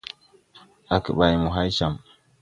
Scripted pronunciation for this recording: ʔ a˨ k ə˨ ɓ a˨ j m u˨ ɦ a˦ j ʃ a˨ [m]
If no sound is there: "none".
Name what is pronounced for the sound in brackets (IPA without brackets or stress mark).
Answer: m